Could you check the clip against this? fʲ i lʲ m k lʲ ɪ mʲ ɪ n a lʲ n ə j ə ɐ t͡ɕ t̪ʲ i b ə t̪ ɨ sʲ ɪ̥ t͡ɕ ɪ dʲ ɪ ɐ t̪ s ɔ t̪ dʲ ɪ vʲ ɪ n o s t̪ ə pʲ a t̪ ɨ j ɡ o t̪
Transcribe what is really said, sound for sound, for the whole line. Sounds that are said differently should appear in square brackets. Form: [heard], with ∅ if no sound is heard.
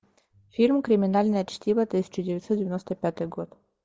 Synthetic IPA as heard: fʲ i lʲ m k [ɾʲ] ɪ mʲ ɪ n a lʲ n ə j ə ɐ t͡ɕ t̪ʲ i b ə t̪ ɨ sʲ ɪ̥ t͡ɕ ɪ dʲ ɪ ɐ t̪ s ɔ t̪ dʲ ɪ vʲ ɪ n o s t̪ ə pʲ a t̪ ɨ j ɡ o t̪